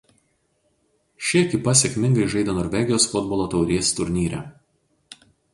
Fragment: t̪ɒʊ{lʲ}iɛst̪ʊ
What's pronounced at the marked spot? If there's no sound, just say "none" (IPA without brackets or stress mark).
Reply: ɾʲ